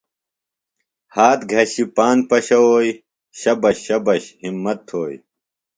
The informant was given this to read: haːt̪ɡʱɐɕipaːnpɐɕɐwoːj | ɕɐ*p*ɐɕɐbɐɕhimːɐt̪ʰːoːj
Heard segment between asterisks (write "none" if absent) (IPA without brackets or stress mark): b